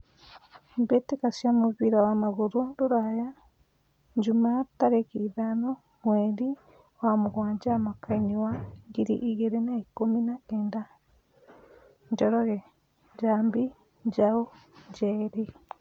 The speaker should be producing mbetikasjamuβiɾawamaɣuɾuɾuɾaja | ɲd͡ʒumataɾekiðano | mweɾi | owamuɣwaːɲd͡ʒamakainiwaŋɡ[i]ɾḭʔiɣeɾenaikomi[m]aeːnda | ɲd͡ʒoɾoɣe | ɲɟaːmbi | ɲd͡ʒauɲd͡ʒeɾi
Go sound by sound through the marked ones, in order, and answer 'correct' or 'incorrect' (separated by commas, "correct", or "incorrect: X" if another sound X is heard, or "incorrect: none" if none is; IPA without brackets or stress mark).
correct, incorrect: n